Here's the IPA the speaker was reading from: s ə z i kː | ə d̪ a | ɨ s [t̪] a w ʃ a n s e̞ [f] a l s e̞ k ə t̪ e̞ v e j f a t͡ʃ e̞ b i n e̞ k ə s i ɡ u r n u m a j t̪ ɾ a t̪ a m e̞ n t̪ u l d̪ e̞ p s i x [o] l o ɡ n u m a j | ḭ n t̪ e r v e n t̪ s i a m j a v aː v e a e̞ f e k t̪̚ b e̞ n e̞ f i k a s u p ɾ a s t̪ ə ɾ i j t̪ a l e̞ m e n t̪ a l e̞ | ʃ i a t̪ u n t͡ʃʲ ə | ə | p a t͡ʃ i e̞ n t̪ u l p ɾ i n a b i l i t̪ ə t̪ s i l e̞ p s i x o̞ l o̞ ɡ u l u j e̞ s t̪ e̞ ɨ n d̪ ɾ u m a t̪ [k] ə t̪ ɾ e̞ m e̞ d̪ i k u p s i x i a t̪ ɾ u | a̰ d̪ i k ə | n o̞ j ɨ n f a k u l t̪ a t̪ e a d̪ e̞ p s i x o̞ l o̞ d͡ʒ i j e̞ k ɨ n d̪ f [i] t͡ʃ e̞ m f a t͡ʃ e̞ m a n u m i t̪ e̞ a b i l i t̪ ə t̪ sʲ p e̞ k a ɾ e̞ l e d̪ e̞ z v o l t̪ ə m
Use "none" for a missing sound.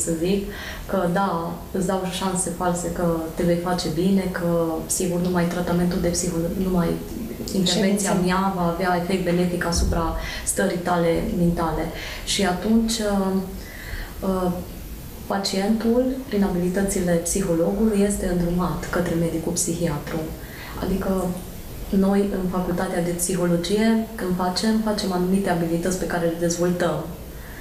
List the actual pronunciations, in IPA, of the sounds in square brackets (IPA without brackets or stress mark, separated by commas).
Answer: d̪, f, o, k, a